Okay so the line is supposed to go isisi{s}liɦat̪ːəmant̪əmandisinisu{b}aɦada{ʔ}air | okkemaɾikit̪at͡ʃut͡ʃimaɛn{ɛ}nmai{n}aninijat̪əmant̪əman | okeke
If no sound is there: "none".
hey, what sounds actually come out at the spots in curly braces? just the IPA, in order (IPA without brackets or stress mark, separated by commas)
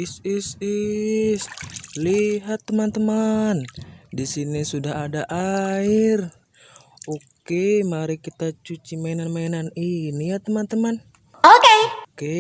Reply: s, d, ʔ, a, n